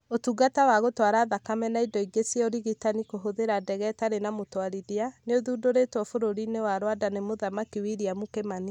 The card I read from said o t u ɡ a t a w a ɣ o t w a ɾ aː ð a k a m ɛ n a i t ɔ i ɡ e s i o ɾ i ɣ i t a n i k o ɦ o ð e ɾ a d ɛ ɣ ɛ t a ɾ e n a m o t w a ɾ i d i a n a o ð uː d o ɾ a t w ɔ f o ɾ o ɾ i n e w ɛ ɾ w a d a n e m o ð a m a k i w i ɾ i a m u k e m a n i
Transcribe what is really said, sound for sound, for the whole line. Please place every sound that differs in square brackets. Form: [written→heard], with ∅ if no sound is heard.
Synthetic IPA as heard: o t u ɡ a t a w a ɣ o t w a ɾ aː ð a k a m ɛ n a i [t→d] ɔ i ɡ e s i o ɾ i ɣ i t a n i k o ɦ o ð e ɾ a d ɛ ɣ ɛ t a ɾ e n a m o t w a ɾ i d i a n [a→e] o ð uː d o ɾ [a→e] t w ɔ f o ɾ o ɾ i n e w [ɛ→a] ɾ w a d a n e m o ð a m a k i w i ɾ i a m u k e m a n i